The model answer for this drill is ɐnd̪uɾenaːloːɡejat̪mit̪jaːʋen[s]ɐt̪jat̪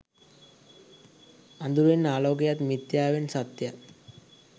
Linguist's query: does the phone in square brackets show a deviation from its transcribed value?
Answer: no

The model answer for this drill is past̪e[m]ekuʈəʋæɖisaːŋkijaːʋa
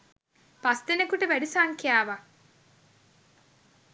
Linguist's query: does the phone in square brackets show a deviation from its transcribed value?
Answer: yes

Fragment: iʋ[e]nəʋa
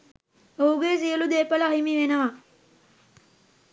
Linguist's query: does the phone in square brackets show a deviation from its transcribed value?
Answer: no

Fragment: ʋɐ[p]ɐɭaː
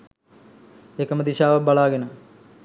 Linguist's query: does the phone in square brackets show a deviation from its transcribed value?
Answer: yes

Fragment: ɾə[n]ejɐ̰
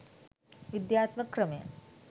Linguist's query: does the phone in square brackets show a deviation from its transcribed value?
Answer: yes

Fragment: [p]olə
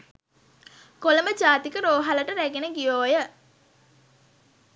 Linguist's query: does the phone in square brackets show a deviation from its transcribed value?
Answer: yes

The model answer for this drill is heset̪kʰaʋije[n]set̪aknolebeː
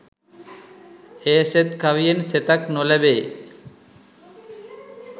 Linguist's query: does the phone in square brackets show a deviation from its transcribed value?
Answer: no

